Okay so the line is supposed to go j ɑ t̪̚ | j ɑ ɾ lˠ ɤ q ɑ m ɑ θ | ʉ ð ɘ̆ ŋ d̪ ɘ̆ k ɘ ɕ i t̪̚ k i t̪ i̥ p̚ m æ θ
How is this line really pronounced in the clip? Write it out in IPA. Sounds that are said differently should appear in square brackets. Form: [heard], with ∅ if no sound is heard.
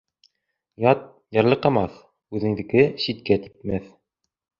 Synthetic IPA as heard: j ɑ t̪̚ | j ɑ ɾ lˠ ɤ q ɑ m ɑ θ | ʉ ð ɘ̆ ŋ d̪ ɘ̆ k ɘ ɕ i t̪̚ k [æ] t̪ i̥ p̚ m æ θ